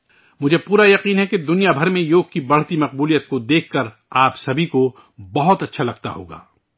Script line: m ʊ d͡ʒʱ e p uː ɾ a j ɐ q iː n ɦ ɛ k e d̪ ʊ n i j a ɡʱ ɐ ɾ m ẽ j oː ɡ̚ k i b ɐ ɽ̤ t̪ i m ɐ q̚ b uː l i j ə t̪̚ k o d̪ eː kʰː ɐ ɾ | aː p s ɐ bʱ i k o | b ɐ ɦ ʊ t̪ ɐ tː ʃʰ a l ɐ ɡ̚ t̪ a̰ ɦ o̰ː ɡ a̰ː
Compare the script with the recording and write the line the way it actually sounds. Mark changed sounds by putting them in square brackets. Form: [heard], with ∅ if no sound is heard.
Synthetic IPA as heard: m ʊ d͡ʒʱ e p uː ɾ a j ɐ q iː n ɦ ɛ k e d̪ ʊ n i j a [bʱ] ɐ ɾ m ẽ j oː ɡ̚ k i b ɐ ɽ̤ t̪ i m ɐ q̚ b uː l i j ə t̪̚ k o d̪ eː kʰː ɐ ɾ | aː p s ɐ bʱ i k o | b ɐ ɦ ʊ t̪ ɐ tː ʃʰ a l ɐ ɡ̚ t̪ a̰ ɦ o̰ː ɡ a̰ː